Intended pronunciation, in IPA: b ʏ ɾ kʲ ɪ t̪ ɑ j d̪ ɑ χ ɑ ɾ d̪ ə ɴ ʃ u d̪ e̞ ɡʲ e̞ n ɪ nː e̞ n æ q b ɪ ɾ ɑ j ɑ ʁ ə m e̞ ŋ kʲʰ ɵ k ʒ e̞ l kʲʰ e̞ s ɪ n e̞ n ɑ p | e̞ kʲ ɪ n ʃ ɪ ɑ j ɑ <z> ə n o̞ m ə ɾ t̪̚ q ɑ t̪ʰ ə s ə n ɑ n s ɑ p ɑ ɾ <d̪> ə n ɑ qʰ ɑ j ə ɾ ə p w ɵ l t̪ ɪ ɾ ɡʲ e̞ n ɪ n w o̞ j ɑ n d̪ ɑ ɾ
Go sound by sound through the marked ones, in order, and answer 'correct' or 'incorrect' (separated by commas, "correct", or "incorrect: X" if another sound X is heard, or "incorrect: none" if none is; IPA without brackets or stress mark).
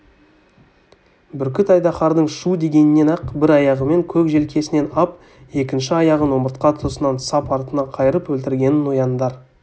incorrect: ʁ, incorrect: t̪